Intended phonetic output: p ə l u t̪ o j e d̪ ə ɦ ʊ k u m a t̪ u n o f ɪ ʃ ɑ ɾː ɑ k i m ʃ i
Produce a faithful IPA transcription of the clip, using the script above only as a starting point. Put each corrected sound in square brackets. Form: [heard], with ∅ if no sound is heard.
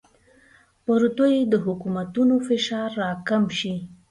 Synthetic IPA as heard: p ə [ɾ] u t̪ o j e d̪ ə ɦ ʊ k u m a t̪ u n o f ɪ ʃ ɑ ɾː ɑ k [a] m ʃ i